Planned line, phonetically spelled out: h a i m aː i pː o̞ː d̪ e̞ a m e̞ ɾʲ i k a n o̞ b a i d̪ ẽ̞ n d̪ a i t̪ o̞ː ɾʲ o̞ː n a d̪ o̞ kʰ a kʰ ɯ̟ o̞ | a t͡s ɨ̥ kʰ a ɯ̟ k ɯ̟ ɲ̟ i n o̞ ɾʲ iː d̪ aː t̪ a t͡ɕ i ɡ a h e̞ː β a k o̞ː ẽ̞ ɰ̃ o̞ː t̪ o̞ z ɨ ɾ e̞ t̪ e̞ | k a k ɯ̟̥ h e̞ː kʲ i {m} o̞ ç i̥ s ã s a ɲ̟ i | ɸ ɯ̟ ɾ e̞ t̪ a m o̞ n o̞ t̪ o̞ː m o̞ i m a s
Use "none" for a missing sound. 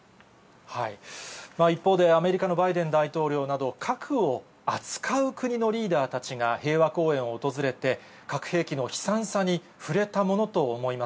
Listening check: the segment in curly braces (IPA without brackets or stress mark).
n